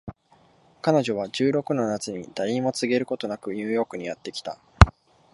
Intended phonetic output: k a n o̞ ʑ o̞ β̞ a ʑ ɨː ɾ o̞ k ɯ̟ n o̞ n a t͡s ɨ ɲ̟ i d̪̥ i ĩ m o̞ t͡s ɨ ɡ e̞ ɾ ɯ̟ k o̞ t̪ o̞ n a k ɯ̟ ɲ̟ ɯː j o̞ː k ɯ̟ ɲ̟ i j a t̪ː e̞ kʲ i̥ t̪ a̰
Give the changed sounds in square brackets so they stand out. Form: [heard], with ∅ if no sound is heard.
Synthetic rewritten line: k a n o̞ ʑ o̞ β̞ a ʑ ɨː ɾ o̞ k ɯ̟ n o̞ n a t͡s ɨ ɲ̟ i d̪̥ [a] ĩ m o̞ t͡s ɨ ɡ e̞ ɾ ɯ̟ k o̞ t̪ o̞ n a k ɯ̟ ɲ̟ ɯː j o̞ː k ɯ̟ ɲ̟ i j a t̪ː e̞ kʲ i̥ t̪ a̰

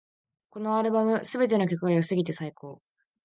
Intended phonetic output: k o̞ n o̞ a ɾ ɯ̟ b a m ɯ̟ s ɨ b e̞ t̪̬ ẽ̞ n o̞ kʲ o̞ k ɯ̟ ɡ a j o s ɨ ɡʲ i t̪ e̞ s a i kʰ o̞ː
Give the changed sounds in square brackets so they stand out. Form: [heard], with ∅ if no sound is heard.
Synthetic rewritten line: k o̞ n o̞ a ɾ ɯ̟ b a m ɯ̟ s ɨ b e̞ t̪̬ [e̞] n o̞ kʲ o̞ k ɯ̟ ɡ a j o s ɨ ɡʲ i t̪ e̞ s a i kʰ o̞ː

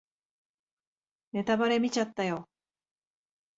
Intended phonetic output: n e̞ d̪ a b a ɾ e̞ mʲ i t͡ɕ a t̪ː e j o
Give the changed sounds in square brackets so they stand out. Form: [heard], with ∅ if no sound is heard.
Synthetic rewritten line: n e̞ [t̪] a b a ɾ e̞ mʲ i t͡ɕ a t̪ː [a] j o

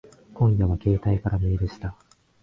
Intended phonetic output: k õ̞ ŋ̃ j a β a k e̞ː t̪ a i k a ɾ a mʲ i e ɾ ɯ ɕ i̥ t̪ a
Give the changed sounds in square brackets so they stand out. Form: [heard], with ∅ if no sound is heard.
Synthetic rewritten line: k õ̞ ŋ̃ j a β a k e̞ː t̪ a i k a ɾ a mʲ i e ɾ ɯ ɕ i̥ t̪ a

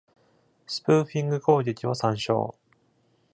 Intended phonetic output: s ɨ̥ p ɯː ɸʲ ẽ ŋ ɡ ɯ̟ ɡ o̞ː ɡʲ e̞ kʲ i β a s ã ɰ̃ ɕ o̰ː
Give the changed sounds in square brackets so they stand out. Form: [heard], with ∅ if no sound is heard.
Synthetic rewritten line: s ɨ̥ p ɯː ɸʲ [ĩ] ŋ ɡ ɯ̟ [k] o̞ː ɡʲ e̞ kʲ i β a s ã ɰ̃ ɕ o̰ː

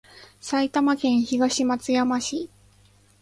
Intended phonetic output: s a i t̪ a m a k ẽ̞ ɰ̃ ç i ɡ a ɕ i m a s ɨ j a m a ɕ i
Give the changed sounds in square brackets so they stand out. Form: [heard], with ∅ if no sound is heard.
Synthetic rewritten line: s a i t̪ a m a k ẽ̞ ɰ̃ ç i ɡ a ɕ i m a [t͡s] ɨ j a m a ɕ i

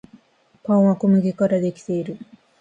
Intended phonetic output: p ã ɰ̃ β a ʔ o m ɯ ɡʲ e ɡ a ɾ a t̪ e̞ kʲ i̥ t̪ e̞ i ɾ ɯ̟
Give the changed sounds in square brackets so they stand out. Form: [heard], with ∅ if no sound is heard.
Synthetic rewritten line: p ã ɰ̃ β a [k] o m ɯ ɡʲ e [k] a ɾ a [d̪] e̞ kʲ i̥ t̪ e̞ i ɾ ɯ̟

